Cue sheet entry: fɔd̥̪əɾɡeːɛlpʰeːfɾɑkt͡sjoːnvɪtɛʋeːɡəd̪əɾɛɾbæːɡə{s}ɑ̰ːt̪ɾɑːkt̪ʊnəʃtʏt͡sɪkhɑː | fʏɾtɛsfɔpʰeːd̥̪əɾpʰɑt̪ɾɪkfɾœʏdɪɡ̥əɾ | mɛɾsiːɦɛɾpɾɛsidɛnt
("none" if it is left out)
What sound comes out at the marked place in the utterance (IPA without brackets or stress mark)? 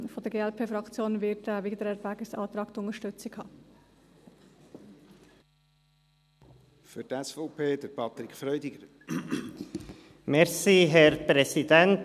s